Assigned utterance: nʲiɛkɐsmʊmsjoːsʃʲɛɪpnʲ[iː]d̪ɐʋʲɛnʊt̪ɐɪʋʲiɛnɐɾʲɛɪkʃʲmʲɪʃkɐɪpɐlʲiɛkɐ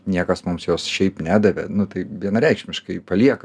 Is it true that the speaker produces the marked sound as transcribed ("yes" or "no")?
no